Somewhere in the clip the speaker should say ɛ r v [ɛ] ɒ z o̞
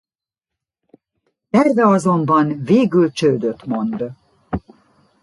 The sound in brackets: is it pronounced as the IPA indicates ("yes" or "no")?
yes